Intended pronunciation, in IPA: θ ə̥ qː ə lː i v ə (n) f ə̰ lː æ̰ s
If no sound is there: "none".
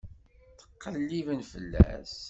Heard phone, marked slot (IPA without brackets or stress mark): n